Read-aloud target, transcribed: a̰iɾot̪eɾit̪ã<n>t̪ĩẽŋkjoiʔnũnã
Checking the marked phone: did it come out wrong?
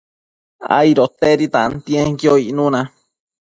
no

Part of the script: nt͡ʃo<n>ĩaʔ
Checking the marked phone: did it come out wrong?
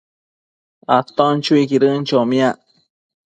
yes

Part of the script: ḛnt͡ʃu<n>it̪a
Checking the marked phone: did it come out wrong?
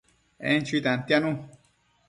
yes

